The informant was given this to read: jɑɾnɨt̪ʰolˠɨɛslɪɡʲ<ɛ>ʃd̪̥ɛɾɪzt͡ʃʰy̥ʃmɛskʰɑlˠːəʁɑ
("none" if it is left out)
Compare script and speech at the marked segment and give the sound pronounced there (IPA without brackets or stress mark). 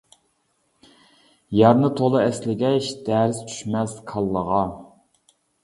ɛ